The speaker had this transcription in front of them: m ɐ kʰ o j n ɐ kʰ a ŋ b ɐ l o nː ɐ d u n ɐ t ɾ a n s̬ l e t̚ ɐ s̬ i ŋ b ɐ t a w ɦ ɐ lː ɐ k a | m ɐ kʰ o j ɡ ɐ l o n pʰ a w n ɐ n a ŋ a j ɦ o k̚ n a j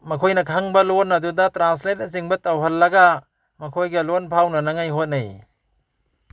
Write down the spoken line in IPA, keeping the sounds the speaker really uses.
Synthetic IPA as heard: m ɐ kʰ o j n ɐ kʰ a ŋ b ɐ l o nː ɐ d u d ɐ t ɾ a n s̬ l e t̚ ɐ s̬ i ŋ b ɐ t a w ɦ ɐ lː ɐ ɡ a | m ɐ kʰ o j ɡ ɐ l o n pʰ a w n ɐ n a ŋ a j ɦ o t̚ n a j